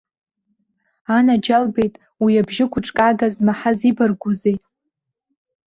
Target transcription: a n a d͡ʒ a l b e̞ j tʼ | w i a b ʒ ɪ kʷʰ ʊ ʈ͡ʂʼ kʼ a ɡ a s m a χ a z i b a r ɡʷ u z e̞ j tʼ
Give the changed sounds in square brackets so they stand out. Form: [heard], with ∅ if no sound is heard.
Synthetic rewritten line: a n a d͡ʒ a l b e̞ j tʼ | w i a b ʒ ɪ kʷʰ ʊ ʈ͡ʂʼ kʼ a ɡ a [z] m a [ħ] a z i b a r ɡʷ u z e̞ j tʼ